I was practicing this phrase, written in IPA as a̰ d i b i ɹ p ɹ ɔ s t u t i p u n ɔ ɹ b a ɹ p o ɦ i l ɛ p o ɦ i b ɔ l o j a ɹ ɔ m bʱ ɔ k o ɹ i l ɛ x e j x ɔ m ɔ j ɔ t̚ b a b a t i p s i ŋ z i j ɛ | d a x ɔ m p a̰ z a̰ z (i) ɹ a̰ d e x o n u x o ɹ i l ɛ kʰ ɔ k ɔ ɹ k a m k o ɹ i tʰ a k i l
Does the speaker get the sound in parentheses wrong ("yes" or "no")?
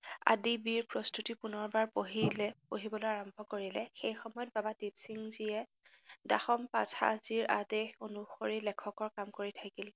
no